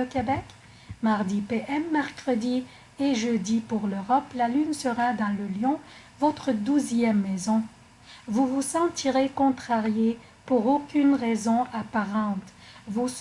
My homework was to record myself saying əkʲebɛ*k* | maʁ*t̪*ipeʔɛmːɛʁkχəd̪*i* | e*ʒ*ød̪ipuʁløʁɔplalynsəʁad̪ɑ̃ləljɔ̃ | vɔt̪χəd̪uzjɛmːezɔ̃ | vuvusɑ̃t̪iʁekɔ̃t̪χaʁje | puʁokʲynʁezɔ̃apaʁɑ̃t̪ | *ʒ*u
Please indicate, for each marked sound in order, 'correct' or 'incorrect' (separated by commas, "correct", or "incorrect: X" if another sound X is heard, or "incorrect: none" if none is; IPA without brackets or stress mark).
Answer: correct, incorrect: d̪, correct, correct, incorrect: v